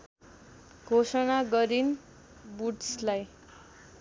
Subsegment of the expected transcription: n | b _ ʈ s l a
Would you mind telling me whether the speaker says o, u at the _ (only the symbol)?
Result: u